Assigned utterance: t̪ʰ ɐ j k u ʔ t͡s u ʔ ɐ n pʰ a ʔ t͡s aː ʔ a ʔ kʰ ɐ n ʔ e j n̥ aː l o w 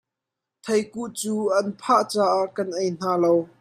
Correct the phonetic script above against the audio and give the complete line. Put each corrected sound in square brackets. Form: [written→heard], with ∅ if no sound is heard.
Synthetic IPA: t̪ʰ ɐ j k u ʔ t͡s [u→uː] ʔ ɐ n pʰ a ʔ t͡s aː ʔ a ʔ [kʰ→k] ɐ n ʔ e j n̥ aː l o w